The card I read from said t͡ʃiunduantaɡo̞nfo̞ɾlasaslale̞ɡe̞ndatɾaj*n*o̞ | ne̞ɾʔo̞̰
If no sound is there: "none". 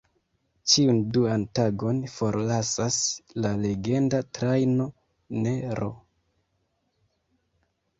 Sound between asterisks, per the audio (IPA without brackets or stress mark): n